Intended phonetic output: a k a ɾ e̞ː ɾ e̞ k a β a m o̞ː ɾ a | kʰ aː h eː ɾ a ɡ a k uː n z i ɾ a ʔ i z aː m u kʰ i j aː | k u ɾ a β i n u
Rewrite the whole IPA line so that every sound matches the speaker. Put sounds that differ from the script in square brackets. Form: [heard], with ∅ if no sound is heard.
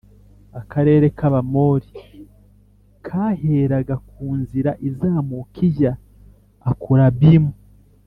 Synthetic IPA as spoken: a k a ɾ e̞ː ɾ e̞ k a β a m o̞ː ɾ [i] | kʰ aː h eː ɾ a ɡ a k uː n z i ɾ a ʔ i z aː m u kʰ i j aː | k u ɾ a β i [m] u

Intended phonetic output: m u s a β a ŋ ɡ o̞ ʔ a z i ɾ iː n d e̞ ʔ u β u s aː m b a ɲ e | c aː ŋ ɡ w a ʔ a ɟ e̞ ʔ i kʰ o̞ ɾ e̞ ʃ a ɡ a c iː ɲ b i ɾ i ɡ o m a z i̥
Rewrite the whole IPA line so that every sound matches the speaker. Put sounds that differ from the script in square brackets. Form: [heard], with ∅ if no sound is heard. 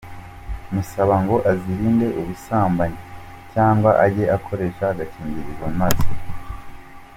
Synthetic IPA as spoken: m u s a β a ŋ ɡ o̞ ʔ a z i ɾ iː n d e̞ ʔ u β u s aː m b a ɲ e | c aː ŋ ɡ w a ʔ a ɟ e̞ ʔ [a] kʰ o̞ ɾ e̞ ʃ a ɡ a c iː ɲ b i ɾ i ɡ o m a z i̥

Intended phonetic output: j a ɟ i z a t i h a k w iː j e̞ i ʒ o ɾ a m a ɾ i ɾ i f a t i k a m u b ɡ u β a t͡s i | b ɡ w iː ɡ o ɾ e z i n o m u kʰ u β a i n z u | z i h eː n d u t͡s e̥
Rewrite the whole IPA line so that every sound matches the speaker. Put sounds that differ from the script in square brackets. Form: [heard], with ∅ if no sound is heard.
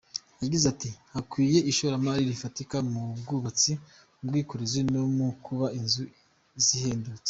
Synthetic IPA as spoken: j a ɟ i z a t i h a k w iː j e̞ i [ʃ] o ɾ a m a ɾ i ɾ i f a t i k a m u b ɡ u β a t͡s i | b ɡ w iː [k] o ɾ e z i n o m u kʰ u β a i n z u | z i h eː n d u t͡s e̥

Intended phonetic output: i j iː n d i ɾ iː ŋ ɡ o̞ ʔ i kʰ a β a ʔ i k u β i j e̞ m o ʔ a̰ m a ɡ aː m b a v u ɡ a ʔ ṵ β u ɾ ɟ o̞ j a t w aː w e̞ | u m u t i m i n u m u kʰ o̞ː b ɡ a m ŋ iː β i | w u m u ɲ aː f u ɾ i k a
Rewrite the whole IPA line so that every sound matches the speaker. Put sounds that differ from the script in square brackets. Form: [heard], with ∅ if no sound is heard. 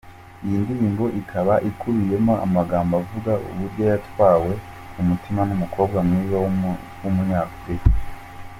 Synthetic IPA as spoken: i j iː n d i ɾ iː ŋ ɡ o̞ ʔ i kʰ a β a ʔ i k u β i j e̞ m o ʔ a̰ m a ɡ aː m b a v u ɡ a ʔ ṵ β u ɾ ɟ o̞ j a t w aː w e̞ | u m u t i m [a] n u m u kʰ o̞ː b ɡ a m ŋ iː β [a] | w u m u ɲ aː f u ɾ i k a

